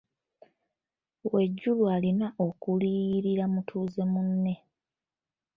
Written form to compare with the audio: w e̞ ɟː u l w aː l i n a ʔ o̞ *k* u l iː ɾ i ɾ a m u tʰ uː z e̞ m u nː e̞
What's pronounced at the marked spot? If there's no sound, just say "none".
k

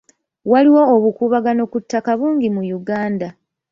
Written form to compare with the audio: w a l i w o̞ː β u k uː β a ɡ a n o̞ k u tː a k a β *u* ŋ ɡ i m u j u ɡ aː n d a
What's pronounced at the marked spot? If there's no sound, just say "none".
uː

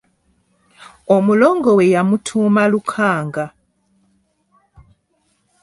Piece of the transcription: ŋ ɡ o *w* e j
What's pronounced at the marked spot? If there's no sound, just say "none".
w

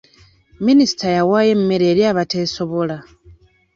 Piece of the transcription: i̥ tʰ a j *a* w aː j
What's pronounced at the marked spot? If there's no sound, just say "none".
a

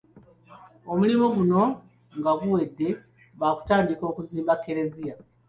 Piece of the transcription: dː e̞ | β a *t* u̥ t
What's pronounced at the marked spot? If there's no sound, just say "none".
k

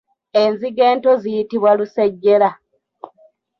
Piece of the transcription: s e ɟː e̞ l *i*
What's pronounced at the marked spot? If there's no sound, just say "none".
a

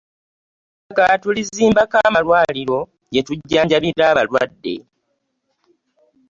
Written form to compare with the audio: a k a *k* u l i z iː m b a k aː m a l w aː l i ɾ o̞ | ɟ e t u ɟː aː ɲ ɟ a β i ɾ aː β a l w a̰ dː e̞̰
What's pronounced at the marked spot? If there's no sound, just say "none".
t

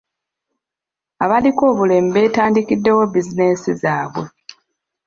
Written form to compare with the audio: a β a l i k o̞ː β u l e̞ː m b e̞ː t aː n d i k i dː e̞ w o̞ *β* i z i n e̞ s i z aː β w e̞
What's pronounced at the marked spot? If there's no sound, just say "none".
b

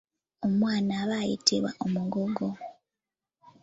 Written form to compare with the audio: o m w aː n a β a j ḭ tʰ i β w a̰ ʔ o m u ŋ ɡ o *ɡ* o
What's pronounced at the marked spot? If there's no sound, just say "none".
ɡ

